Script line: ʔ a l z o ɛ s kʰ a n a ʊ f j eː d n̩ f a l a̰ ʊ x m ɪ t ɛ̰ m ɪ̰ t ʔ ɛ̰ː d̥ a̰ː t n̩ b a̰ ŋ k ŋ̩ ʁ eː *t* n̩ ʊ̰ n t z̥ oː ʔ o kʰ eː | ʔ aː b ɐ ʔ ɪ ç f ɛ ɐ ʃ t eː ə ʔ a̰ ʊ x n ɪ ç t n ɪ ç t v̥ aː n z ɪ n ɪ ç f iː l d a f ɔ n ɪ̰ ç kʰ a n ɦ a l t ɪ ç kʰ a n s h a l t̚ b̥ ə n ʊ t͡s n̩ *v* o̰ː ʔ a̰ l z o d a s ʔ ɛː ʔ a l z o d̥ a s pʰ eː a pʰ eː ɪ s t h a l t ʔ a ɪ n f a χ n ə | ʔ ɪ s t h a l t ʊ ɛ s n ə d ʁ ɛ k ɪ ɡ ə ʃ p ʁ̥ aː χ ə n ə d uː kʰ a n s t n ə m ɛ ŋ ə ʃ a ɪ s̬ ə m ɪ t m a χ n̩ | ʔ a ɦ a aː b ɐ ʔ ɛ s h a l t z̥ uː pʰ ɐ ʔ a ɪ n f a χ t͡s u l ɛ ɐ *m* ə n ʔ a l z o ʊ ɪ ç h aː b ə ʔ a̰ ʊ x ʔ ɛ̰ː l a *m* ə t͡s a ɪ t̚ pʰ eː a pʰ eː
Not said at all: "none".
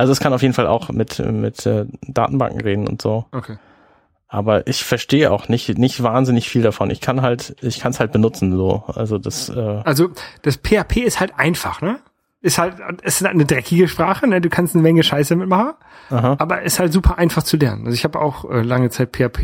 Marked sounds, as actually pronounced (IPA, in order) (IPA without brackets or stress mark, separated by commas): d, z, n, ŋ